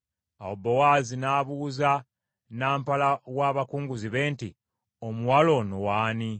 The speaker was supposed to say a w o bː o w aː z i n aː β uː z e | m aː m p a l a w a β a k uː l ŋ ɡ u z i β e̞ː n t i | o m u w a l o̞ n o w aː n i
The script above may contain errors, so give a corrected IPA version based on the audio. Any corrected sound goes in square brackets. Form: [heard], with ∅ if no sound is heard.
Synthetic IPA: a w o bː o w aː z i n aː β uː z [a] | [n] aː m p a l a w a β a k uː [∅] ŋ ɡ u z i β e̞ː n t i | o m u w a l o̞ n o w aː n i